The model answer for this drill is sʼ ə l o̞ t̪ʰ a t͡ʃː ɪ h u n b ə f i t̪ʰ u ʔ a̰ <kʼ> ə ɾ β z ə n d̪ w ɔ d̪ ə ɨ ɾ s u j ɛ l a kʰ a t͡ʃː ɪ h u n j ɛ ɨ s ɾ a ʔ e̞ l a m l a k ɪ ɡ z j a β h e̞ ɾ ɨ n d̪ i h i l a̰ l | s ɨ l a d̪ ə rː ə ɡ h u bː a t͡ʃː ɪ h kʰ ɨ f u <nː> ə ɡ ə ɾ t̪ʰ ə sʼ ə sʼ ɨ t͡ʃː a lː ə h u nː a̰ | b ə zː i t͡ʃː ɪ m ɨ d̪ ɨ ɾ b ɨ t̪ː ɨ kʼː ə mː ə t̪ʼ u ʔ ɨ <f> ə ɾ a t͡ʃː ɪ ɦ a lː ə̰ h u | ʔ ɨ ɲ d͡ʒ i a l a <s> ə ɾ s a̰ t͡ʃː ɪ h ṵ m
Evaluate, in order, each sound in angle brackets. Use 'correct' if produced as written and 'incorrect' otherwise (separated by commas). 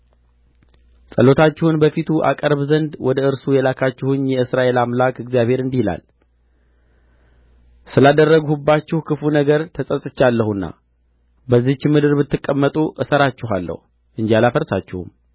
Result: correct, incorrect, incorrect, incorrect